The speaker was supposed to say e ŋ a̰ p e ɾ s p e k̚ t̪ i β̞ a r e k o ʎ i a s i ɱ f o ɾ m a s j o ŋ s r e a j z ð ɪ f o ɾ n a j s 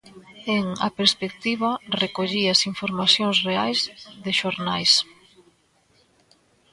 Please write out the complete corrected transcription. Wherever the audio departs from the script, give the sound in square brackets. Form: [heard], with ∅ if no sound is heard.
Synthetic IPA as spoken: e ŋ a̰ p e ɾ s p e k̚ t̪ i β̞ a r e k o ʎ i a s i ɱ f o ɾ m a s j o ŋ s r e a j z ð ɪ [ʃ] o ɾ n a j s